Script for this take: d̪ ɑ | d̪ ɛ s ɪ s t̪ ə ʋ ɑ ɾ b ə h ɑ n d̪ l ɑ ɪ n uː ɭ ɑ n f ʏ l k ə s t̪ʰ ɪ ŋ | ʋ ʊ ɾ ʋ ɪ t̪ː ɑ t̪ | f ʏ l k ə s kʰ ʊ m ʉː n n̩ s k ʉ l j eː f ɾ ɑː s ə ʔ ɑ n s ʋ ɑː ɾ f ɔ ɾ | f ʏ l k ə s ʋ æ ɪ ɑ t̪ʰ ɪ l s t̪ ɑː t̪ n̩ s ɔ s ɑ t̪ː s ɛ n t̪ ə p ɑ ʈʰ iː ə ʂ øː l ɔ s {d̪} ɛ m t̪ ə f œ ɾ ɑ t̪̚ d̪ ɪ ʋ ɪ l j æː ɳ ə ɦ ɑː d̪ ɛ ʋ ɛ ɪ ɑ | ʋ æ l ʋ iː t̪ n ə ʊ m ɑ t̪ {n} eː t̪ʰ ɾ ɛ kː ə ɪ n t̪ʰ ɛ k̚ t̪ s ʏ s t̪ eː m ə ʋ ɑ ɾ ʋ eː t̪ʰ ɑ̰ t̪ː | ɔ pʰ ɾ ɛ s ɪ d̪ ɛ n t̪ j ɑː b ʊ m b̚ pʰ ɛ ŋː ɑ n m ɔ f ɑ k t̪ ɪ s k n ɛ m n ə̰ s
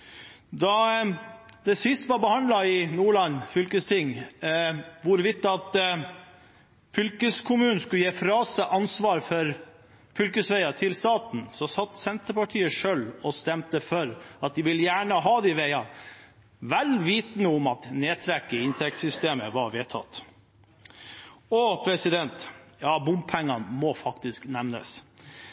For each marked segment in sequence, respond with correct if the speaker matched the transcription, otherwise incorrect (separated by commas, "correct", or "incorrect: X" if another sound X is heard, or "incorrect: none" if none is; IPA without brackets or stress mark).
incorrect: t̪, correct